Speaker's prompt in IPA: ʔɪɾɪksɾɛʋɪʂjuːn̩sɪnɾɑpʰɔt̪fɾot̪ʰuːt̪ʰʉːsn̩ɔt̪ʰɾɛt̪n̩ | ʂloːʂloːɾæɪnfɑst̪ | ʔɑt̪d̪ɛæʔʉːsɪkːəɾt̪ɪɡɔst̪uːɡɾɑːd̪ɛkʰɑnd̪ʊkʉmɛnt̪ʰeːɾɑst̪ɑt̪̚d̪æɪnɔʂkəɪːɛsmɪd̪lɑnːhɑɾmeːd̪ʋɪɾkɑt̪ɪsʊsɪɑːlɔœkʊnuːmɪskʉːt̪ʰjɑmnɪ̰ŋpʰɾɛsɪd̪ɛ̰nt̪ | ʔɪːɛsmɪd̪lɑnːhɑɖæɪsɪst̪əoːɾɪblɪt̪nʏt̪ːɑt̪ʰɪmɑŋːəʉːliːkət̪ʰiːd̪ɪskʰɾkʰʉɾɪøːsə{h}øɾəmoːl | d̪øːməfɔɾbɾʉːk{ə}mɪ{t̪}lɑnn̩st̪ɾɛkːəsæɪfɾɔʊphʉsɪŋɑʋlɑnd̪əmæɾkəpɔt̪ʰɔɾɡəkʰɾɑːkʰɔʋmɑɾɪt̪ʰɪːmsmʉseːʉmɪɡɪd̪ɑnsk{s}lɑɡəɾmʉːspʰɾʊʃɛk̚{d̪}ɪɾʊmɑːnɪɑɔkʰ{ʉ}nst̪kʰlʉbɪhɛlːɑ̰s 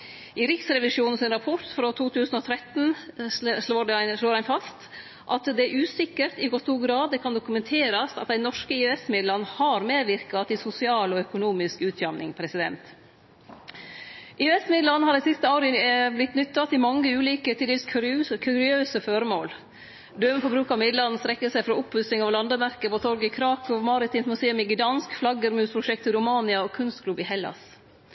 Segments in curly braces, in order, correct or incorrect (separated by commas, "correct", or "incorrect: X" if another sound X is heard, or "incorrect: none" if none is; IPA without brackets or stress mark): incorrect: f, incorrect: ɑ, incorrect: d̪, incorrect: f, incorrect: t̪, correct